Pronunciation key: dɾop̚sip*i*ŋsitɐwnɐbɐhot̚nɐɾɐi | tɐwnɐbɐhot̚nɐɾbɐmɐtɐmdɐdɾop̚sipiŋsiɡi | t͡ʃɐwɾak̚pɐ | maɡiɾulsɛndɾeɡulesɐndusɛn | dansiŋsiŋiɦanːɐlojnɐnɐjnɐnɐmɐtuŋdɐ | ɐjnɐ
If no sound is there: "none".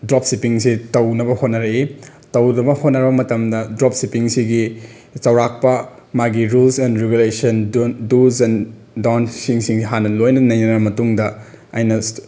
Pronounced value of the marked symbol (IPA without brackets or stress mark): i